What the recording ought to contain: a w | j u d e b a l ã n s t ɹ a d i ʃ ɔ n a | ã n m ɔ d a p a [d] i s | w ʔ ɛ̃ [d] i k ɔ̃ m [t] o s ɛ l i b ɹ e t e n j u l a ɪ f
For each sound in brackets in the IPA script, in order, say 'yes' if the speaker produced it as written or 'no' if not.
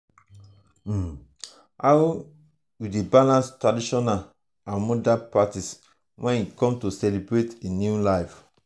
no, no, yes

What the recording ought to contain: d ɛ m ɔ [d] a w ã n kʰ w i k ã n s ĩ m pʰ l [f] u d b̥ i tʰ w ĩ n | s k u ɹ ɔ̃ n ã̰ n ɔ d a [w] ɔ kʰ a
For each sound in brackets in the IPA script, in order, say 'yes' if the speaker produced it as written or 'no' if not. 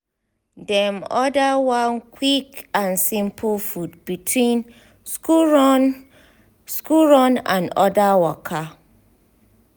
yes, yes, yes

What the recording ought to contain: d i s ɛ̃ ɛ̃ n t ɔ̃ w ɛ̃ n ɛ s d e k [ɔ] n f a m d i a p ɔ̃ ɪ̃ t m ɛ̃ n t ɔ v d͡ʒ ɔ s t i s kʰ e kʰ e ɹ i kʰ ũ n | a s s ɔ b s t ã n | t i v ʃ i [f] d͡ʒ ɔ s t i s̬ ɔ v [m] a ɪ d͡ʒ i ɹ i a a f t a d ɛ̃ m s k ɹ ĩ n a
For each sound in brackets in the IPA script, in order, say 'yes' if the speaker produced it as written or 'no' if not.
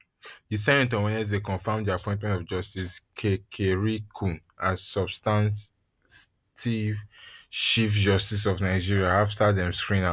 no, yes, no

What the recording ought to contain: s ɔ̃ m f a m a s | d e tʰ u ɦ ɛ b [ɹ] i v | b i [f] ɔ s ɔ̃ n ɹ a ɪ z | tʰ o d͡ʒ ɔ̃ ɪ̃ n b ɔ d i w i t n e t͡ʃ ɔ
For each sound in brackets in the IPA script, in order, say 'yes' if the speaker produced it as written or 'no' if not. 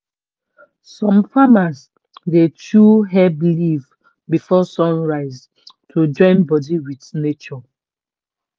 no, yes

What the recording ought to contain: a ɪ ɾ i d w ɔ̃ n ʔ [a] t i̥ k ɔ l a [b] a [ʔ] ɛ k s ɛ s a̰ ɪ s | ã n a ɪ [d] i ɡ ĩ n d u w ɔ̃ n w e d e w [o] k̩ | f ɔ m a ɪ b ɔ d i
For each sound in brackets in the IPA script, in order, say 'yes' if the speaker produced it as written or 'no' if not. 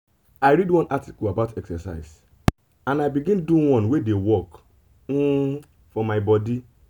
yes, yes, no, no, no

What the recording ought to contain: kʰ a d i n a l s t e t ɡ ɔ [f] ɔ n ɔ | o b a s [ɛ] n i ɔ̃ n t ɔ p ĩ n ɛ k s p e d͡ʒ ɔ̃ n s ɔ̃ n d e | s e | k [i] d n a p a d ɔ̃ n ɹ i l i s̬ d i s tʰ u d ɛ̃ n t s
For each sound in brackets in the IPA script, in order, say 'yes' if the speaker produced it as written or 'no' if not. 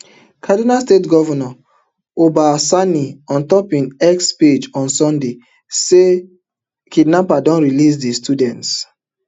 no, no, yes

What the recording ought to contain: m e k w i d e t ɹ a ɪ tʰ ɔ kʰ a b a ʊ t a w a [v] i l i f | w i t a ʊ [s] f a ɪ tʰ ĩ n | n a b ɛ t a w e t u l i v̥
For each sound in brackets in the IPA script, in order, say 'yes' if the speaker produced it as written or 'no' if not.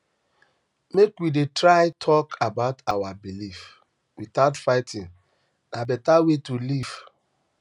no, no

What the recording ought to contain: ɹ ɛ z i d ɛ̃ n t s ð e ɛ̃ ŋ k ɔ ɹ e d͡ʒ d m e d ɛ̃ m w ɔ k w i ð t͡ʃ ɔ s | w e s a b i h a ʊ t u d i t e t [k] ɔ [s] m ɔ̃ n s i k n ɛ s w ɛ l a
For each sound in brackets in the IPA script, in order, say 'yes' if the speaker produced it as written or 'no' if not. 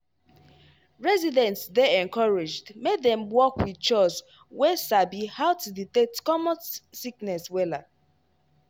yes, no

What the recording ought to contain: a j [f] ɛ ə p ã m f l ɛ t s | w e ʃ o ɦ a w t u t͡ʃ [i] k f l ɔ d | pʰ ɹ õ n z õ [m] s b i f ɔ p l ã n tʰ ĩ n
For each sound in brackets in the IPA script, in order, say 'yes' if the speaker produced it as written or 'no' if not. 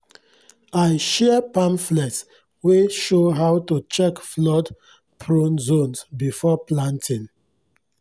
no, no, no

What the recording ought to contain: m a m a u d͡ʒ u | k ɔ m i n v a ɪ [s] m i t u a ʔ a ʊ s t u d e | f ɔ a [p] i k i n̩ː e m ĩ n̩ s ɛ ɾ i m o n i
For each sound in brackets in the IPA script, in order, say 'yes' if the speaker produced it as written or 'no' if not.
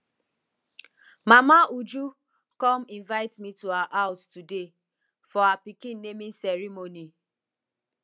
no, yes

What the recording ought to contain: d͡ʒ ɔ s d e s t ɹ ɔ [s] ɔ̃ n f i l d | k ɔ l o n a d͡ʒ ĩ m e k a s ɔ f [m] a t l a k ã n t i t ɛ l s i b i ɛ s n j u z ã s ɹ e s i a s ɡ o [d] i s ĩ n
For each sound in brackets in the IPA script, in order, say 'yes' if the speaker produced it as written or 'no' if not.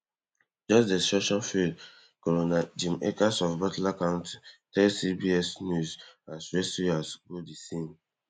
no, no, yes

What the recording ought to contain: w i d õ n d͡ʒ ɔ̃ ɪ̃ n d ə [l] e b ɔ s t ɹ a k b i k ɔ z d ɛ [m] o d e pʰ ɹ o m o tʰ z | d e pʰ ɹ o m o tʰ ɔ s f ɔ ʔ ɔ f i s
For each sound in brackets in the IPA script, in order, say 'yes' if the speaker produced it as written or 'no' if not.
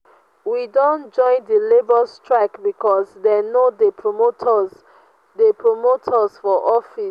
yes, no

